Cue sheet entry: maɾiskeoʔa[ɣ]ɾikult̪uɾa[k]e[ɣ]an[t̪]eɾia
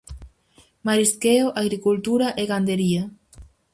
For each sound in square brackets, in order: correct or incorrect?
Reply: correct, incorrect: ʔ, correct, incorrect: d̪

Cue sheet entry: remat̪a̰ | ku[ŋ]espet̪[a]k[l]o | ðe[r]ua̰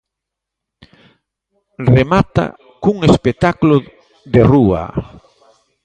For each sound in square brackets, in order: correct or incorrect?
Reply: correct, correct, correct, correct

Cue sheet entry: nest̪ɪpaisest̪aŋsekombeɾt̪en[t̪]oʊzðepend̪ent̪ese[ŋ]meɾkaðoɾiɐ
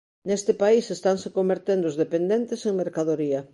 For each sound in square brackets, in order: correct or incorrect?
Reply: incorrect: d̪, correct

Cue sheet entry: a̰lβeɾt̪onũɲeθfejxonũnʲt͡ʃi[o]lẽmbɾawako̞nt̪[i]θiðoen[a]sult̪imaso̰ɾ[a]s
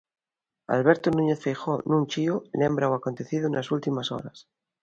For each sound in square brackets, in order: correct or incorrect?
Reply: correct, incorrect: e, correct, correct

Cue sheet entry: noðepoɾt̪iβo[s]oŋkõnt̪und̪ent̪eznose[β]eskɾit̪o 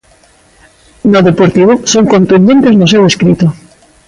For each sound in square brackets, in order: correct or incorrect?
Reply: correct, incorrect: w

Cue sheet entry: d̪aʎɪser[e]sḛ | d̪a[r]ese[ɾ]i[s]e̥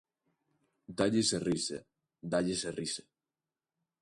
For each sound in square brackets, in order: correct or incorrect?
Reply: incorrect: i, incorrect: ʎ, incorrect: r, correct

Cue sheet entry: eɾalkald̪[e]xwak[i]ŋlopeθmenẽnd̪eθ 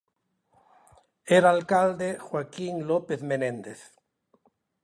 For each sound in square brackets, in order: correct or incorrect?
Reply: correct, correct

